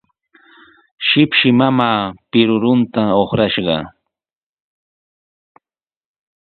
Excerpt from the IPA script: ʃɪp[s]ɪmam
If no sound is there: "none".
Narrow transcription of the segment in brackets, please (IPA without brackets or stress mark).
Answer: ʃ